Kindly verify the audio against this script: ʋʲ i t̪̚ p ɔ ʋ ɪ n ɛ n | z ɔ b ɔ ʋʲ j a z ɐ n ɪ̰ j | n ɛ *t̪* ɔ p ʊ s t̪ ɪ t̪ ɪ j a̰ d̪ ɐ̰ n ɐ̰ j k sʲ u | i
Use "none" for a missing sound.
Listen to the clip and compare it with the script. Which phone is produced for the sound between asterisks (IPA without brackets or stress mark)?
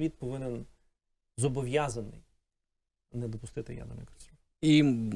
d̪